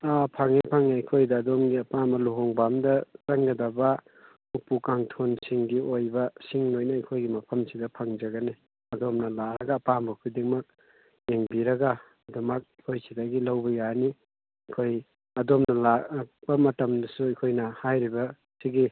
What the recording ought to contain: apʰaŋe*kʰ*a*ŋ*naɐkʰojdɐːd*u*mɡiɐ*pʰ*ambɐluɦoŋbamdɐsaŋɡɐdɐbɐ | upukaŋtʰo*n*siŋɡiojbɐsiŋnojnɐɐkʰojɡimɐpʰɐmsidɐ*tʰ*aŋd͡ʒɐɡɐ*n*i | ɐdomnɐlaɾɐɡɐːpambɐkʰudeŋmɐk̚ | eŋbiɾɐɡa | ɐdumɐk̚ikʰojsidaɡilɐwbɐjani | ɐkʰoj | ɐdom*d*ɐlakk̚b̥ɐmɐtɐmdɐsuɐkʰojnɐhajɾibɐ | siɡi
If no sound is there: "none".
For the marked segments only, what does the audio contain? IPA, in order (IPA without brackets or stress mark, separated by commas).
pʰ, ŋ, o, p, n, pʰ, n, n